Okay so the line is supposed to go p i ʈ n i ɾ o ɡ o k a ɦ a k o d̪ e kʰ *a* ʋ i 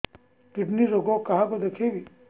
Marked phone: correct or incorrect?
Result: incorrect